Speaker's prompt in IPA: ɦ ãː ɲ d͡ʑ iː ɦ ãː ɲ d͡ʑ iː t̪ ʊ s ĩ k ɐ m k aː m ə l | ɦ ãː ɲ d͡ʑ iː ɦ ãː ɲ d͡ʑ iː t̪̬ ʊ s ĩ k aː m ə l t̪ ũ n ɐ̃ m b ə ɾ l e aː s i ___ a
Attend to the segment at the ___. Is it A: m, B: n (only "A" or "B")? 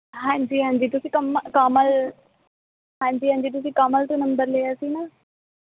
B